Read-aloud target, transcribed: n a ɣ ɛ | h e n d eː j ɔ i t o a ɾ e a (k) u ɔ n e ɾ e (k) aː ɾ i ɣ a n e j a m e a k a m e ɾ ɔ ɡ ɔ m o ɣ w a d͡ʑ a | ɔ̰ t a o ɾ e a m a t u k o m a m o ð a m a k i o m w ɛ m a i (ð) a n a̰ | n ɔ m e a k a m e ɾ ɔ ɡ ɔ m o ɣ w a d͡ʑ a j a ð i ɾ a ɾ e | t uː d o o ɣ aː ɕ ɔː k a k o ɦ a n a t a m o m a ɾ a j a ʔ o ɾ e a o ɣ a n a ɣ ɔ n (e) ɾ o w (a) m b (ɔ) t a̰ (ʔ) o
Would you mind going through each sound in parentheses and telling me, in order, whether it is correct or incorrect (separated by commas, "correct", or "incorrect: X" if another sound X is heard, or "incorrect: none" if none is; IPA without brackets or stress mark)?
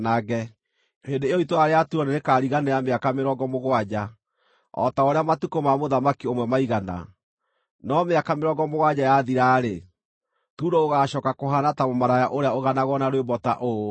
incorrect: t, correct, incorrect: ɣ, incorrect: a, incorrect: e, correct, correct